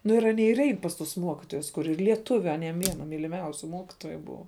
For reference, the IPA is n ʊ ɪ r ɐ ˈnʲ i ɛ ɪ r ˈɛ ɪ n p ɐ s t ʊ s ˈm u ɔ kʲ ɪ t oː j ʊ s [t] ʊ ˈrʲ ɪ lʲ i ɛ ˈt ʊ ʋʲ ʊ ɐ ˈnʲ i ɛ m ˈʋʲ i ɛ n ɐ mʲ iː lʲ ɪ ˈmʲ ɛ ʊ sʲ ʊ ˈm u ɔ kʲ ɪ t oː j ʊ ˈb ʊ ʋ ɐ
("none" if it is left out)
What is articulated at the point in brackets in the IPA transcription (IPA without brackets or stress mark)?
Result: k